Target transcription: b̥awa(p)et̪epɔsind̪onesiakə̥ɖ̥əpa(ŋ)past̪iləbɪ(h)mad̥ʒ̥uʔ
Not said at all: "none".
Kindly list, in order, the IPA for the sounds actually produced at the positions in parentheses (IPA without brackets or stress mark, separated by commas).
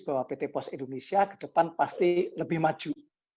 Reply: p, n, h